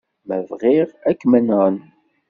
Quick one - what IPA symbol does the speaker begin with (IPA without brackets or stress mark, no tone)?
m